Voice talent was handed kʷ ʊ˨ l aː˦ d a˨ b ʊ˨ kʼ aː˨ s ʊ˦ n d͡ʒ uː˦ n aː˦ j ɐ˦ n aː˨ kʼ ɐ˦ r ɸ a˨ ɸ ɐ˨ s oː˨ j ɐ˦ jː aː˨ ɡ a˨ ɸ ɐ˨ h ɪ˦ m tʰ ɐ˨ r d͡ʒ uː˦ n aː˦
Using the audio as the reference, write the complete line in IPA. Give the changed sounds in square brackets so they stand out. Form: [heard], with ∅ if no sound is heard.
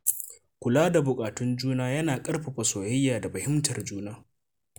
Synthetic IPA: kʷ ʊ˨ l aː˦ d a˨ b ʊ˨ kʼ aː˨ [t] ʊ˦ n d͡ʒ uː˦ n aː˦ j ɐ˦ n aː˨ kʼ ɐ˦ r ɸ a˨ ɸ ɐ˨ s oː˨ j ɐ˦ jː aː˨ [d] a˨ ɸ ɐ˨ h ɪ˦ m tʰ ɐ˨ r d͡ʒ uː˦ n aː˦